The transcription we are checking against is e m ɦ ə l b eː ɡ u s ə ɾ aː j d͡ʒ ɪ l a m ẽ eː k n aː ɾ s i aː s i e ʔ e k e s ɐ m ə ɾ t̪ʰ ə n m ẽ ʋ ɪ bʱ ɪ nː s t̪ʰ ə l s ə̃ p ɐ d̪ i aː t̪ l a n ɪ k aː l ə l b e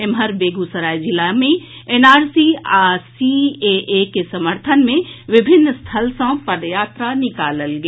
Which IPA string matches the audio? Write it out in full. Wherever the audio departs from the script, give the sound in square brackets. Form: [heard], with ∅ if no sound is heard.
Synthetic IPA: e m ɦ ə [ɾ] b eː ɡ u s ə ɾ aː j d͡ʒ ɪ l a m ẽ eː [∅] n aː ɾ s i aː s i e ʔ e k e s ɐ m ə ɾ t̪ʰ ə n m ẽ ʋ ɪ bʱ ɪ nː s t̪ʰ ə l s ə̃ p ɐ d̪ [j] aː t̪ [ɾ] a n ɪ k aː l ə l [ɡ] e